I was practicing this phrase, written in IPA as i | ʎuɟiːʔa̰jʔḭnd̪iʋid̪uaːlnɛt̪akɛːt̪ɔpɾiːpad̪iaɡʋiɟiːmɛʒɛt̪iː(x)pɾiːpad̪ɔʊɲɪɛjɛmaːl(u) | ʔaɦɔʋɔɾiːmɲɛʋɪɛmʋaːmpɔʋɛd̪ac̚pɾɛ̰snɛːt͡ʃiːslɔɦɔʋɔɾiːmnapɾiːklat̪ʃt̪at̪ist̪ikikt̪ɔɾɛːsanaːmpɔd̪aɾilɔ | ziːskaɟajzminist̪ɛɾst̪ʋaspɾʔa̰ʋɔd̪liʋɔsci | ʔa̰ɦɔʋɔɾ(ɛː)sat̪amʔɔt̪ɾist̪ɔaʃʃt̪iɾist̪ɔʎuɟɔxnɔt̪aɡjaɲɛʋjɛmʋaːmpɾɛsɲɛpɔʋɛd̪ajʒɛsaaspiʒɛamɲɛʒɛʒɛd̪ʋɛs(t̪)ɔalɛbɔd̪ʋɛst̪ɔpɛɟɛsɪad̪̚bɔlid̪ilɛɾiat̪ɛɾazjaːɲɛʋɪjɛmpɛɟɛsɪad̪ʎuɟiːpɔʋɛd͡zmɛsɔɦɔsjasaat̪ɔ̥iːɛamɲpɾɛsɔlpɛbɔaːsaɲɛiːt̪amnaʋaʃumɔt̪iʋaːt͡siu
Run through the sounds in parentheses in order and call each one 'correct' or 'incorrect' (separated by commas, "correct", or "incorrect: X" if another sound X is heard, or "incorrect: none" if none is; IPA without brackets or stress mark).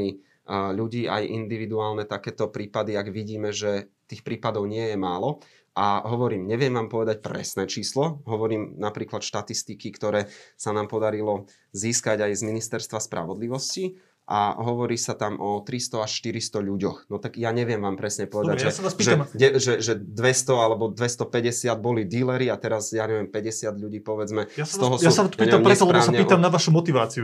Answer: correct, incorrect: ɔ, incorrect: iː, correct